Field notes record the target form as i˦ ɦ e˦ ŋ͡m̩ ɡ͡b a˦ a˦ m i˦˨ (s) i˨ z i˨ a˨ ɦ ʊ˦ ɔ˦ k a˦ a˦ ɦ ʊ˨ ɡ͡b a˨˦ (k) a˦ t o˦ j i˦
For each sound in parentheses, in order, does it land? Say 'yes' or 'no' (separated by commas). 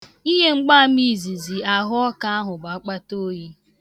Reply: no, no